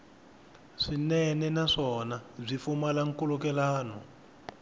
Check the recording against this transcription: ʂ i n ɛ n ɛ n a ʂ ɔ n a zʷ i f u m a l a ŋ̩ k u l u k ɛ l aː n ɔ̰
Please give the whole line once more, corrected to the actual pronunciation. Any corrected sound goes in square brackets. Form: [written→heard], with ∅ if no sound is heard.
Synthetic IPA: ʂ i n ɛ n ɛ n a ʂ ɔ n a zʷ i f u m a l a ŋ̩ k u l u k ɛ l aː n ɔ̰